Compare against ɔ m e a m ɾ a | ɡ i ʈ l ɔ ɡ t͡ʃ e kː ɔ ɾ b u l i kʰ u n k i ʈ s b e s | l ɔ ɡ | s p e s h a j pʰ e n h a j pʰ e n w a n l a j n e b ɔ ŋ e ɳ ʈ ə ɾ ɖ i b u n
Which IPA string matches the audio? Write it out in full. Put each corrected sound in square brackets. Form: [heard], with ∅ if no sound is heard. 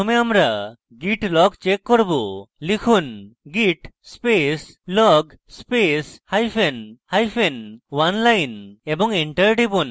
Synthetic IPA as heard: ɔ m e a m ɾ a | ɡ i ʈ l ɔ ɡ t͡ʃ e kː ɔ ɾ b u l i kʰ u n [ɡ] i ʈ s [p] e s | l ɔ ɡ | s p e s h a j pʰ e n h a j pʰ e n w a n l a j n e b ɔ ŋ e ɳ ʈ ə ɾ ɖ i b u n